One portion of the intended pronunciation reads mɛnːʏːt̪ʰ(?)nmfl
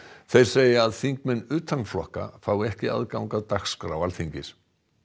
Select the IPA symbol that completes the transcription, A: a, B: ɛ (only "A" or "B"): A